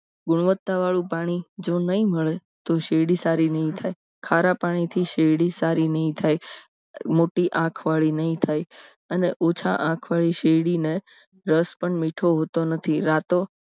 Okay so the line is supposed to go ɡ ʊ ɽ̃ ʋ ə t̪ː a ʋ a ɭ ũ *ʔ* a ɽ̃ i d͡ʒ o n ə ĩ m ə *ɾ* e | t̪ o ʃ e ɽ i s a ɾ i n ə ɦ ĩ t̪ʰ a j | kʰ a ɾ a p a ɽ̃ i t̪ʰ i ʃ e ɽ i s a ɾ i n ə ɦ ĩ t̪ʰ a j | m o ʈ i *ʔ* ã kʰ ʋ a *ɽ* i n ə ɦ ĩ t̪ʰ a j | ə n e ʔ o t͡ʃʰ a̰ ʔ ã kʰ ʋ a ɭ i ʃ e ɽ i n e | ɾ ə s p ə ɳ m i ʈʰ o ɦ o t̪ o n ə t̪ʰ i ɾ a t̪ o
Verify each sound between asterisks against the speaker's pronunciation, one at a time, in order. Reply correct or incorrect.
incorrect, incorrect, correct, incorrect

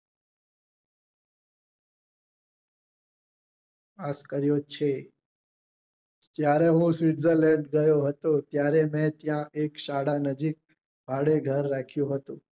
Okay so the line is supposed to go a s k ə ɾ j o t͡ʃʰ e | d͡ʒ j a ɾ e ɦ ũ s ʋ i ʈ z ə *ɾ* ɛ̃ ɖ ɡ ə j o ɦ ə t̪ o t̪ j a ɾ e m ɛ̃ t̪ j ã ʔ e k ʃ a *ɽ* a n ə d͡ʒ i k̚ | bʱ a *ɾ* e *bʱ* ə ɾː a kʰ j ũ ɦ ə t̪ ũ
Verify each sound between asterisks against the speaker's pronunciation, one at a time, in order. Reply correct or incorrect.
incorrect, correct, incorrect, incorrect

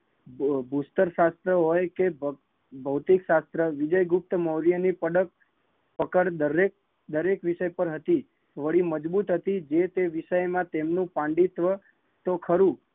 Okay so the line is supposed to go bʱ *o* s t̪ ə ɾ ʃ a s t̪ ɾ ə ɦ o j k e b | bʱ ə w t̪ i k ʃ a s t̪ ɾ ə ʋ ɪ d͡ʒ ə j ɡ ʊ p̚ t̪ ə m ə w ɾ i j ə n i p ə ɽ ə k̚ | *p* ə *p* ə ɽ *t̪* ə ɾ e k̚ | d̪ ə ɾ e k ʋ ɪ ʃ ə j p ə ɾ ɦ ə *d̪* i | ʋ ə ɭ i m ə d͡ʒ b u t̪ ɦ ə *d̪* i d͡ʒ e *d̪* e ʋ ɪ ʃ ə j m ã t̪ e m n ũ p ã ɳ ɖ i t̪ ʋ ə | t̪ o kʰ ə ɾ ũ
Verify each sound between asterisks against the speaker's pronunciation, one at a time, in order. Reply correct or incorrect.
incorrect, correct, incorrect, incorrect, incorrect, incorrect, incorrect

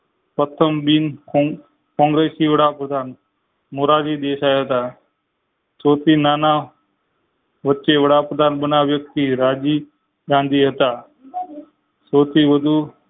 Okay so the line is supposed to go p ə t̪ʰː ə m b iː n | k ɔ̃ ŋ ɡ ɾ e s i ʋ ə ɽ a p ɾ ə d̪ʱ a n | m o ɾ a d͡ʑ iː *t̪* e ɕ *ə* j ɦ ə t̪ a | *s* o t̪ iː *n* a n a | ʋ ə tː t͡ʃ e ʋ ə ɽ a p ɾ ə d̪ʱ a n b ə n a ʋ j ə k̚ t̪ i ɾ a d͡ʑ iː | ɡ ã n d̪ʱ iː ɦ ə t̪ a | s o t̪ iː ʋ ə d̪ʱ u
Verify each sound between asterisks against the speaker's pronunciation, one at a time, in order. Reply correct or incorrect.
incorrect, incorrect, correct, correct

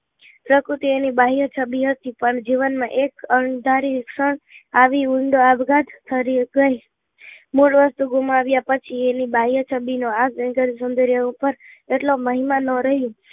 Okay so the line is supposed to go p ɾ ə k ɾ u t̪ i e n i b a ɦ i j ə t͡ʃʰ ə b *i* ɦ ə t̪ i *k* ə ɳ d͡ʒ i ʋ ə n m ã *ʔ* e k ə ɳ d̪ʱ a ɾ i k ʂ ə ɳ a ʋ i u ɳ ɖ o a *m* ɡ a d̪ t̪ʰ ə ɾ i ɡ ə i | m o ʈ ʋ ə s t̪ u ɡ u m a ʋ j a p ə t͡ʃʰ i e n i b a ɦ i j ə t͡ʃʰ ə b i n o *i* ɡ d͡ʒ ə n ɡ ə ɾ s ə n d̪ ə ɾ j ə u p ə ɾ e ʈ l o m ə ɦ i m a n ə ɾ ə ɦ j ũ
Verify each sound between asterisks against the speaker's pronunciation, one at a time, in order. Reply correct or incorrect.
correct, incorrect, correct, incorrect, incorrect

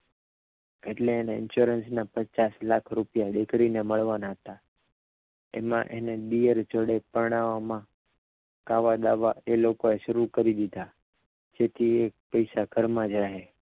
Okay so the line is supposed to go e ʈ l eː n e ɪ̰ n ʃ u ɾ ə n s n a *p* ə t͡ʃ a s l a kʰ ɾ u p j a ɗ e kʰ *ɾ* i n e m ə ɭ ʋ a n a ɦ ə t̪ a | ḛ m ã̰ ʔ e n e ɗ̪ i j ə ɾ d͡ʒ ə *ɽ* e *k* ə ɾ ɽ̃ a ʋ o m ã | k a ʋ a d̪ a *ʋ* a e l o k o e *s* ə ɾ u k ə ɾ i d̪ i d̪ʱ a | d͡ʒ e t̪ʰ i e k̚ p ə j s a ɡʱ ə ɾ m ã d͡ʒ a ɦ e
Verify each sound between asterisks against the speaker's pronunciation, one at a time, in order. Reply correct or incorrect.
correct, incorrect, correct, incorrect, correct, incorrect

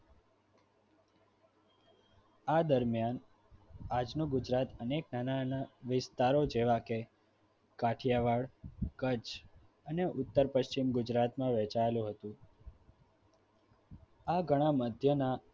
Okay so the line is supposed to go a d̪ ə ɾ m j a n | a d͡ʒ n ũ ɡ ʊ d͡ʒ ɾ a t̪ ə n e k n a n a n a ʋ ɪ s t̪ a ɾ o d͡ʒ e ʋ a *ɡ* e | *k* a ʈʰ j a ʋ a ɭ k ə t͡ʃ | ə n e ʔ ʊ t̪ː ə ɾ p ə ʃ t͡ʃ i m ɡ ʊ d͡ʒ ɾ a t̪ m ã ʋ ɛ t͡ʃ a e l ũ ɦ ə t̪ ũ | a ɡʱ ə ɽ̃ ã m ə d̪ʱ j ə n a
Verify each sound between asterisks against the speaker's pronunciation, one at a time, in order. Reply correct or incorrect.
incorrect, correct

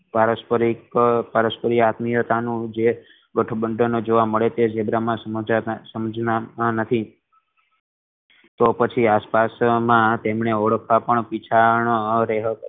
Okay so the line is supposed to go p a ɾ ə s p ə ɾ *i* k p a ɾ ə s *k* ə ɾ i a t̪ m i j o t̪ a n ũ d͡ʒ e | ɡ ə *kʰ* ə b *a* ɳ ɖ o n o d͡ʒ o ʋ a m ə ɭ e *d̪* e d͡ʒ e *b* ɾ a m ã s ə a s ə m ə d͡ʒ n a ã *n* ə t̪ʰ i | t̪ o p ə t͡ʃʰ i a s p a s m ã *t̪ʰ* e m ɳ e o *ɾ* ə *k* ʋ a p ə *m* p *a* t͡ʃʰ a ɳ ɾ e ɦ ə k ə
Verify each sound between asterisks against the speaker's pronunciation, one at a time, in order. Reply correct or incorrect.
correct, incorrect, incorrect, incorrect, incorrect, correct, correct, incorrect, incorrect, incorrect, incorrect, incorrect

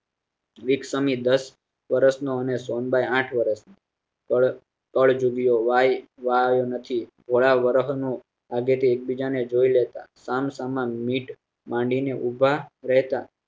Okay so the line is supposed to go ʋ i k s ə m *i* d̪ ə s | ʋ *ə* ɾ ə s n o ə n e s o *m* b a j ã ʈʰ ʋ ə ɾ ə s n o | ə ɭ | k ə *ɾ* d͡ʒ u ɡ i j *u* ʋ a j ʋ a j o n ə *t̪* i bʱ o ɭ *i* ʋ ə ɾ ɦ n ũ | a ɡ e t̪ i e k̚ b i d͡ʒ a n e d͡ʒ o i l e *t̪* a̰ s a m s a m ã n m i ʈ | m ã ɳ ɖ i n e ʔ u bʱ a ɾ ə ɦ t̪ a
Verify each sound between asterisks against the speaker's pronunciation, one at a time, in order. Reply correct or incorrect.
correct, correct, incorrect, incorrect, incorrect, incorrect, incorrect, correct

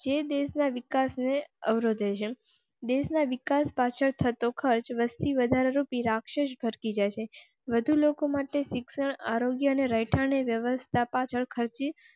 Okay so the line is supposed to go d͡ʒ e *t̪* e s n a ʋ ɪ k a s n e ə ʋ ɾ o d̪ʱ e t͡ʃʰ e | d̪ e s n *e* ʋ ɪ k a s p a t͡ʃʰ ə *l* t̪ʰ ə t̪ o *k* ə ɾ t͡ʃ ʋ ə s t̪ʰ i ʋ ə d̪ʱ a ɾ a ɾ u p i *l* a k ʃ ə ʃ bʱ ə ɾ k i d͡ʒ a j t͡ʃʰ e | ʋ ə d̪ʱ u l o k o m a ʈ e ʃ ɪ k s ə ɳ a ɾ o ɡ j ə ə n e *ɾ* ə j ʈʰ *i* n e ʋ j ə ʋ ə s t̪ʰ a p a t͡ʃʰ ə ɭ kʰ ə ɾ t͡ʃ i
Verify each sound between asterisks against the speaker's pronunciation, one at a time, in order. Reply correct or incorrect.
incorrect, incorrect, incorrect, incorrect, incorrect, correct, incorrect

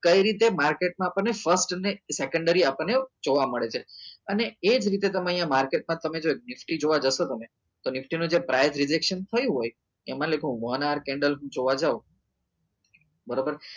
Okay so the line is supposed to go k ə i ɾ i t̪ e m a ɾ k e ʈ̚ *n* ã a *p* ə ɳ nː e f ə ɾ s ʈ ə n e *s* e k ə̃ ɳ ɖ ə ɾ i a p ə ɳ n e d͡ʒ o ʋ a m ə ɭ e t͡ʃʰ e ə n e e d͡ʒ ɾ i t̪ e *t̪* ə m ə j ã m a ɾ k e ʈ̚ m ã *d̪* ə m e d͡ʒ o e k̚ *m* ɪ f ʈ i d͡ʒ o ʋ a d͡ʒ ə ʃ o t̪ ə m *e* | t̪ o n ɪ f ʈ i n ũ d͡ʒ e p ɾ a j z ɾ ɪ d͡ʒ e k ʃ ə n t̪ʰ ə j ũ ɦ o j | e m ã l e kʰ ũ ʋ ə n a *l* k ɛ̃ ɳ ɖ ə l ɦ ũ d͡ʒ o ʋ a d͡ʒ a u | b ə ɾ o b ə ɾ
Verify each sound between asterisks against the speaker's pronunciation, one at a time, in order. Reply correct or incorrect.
incorrect, correct, correct, correct, incorrect, incorrect, correct, incorrect

